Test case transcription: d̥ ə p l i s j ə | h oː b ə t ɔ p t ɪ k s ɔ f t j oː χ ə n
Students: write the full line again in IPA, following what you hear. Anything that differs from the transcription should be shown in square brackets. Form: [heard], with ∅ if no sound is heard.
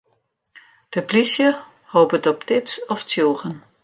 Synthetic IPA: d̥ ə p l i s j ə | h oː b ə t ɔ p t ɪ [p] s ɔ f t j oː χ ə n